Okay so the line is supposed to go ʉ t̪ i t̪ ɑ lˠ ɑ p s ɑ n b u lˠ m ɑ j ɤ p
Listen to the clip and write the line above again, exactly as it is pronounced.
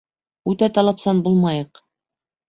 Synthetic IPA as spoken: ʉ t̪ æ t̪ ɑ lˠ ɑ p s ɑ n b u lˠ m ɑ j ɤ q